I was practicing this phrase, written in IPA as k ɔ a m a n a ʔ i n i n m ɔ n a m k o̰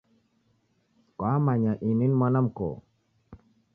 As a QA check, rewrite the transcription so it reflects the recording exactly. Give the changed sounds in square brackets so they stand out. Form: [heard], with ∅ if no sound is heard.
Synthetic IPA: k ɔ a m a [ɲ] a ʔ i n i n m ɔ n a m k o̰